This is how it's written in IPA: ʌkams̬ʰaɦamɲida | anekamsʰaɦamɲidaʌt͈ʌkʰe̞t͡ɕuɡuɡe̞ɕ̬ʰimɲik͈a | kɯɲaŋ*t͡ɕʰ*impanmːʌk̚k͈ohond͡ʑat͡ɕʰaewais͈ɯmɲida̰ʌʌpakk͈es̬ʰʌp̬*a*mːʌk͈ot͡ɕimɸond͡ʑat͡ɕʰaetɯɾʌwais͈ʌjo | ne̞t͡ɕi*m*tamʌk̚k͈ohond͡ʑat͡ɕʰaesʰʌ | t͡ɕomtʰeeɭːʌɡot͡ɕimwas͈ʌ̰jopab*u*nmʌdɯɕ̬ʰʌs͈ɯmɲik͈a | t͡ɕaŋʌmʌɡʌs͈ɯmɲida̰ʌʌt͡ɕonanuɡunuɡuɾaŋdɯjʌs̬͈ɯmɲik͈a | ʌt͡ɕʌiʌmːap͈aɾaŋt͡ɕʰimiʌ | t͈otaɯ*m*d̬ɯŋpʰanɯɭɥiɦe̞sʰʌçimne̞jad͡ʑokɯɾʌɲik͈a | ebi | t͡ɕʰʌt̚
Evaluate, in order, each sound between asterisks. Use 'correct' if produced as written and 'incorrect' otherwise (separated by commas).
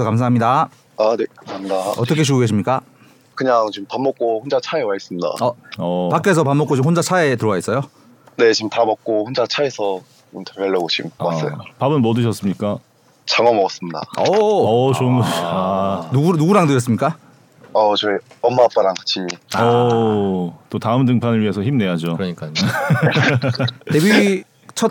incorrect, correct, correct, incorrect, correct